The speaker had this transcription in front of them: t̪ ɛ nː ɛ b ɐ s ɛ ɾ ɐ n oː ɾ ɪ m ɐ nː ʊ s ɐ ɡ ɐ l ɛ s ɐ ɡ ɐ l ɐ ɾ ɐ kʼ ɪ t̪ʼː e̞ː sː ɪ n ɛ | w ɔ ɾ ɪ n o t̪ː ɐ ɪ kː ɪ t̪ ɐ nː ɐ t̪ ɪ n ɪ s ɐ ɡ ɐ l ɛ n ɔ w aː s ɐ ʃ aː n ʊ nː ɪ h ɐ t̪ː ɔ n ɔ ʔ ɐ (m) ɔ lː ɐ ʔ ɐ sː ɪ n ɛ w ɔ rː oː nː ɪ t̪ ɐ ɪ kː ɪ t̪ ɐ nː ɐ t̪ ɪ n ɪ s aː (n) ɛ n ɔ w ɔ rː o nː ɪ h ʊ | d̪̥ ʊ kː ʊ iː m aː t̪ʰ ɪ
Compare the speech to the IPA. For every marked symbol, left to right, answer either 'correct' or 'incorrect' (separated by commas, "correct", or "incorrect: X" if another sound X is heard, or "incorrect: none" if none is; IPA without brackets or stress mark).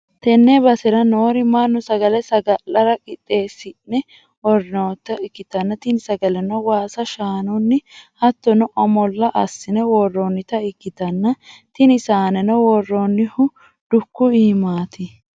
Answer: correct, correct